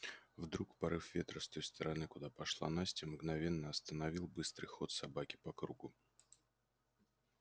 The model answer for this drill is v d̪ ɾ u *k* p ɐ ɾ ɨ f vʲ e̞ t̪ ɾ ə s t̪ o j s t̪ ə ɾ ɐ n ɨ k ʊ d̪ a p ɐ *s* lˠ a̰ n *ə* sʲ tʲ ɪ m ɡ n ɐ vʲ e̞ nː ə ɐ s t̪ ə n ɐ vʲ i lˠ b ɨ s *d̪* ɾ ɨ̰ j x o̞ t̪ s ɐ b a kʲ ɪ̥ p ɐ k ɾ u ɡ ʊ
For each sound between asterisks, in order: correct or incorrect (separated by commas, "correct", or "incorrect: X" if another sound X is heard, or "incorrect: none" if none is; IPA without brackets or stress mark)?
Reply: correct, incorrect: ʂ, incorrect: a, incorrect: t̪